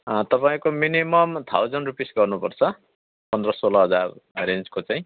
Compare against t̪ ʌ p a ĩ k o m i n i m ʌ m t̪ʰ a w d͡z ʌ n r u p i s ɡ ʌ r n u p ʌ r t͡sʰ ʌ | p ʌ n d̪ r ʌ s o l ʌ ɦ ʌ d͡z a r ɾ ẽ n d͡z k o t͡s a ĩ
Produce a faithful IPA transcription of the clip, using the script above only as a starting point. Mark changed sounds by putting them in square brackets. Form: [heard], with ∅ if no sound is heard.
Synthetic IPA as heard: t̪ ʌ p a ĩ k o m i n i m ʌ m t̪ʰ a w d͡z ʌ n r u p i s ɡ ʌ r n u p ʌ r t͡sʰ ʌ | p ʌ n d̪ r ʌ s o l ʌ ɦ ʌ d͡z a r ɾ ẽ n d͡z k o t͡s a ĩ